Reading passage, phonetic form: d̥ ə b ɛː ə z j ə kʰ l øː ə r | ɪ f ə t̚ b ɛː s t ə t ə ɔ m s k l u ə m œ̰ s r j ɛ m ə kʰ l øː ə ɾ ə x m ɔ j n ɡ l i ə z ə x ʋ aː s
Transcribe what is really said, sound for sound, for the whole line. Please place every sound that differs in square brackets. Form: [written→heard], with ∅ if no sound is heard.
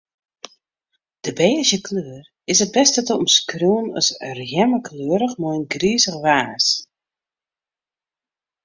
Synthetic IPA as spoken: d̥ ə b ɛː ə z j ə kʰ l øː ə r | ɪ [f→s] ə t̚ b [ɛː→ɛ] s t ə t ə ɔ m s k [l→r] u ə [m→n] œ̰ s r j ɛ m ə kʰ l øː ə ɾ ə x m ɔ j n ɡ [l→r] i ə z ə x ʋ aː s